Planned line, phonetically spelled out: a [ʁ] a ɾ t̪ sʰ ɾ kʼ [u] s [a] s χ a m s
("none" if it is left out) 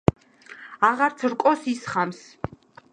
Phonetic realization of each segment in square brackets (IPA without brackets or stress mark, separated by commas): ʁ, ɔ, i